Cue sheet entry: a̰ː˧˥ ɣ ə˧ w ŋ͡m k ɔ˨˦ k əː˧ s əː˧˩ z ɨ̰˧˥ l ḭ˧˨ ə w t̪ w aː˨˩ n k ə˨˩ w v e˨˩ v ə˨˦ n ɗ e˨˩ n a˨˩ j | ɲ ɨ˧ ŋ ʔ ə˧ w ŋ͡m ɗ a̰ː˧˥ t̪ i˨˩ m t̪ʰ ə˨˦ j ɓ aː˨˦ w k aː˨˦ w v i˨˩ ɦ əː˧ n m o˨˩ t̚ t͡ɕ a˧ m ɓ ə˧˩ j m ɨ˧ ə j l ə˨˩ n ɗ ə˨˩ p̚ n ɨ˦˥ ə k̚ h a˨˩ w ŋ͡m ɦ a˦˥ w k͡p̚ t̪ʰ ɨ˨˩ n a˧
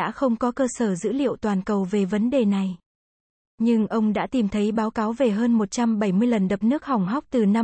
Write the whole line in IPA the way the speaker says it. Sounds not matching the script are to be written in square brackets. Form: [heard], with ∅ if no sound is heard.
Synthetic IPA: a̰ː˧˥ [x] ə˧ w ŋ͡m k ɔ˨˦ k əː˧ s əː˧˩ z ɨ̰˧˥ l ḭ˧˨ ə w t̪ w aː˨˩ n k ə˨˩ w v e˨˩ v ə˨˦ n ɗ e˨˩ n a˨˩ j | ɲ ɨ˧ ŋ ʔ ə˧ w ŋ͡m ɗ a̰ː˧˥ t̪ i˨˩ m t̪ʰ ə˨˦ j ɓ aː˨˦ w k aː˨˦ w v [e˨˩] ɦ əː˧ n m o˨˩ t̚ t͡ɕ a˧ m ɓ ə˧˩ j m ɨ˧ ə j l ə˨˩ n ɗ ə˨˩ p̚ n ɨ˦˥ ə k̚ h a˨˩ w ŋ͡m ɦ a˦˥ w k͡p̚ [t̪] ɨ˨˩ n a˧